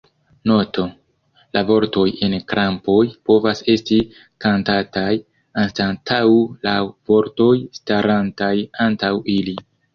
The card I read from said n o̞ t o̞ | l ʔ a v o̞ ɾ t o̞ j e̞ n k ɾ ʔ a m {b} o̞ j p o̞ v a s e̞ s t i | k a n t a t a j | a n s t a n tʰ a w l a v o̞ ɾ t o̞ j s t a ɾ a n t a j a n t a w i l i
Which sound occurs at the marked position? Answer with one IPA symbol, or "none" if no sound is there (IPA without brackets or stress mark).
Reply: p